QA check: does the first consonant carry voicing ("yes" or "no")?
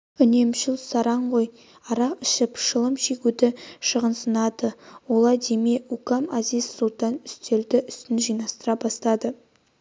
yes